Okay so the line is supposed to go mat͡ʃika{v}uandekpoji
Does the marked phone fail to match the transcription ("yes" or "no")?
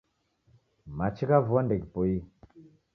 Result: no